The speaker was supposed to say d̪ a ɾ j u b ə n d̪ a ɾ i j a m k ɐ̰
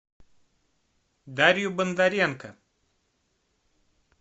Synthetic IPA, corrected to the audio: d̪ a ɾ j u b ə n d̪ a ɾ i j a n k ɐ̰